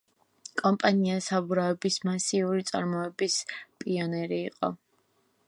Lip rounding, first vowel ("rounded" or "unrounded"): rounded